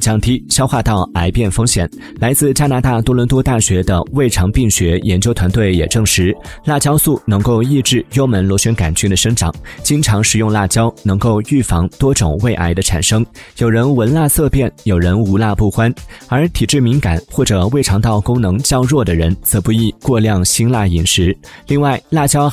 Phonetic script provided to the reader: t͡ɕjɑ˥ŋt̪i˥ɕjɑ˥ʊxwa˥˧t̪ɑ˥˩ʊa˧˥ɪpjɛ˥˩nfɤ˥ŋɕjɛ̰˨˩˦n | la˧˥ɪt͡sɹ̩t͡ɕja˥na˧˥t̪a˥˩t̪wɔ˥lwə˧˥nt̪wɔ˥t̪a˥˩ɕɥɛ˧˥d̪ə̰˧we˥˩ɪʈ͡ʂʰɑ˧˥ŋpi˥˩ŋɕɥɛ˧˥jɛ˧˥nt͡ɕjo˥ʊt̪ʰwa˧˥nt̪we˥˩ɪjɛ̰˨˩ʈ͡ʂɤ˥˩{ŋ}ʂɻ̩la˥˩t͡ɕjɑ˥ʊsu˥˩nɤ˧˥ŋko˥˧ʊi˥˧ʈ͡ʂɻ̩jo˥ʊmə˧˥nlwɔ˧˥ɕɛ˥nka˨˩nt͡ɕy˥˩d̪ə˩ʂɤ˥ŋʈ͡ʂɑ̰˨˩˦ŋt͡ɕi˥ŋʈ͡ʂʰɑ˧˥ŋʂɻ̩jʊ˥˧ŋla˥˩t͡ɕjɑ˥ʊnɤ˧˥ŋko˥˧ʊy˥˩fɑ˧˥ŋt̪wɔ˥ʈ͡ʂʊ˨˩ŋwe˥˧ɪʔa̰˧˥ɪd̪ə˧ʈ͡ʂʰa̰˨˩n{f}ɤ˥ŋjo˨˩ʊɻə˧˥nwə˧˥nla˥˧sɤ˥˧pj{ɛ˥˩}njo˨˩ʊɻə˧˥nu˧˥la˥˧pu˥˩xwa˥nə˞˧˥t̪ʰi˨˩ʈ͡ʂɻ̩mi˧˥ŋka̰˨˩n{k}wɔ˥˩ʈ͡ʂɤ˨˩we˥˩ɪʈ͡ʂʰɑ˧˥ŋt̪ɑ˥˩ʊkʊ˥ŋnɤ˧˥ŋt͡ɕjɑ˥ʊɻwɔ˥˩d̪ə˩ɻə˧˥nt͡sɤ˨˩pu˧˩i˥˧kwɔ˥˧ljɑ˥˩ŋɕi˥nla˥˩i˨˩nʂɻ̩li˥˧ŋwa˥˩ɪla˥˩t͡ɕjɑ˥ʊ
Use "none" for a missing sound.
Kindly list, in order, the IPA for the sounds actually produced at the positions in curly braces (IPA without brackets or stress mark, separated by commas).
ŋ, ʂ, ɛ˥˩, x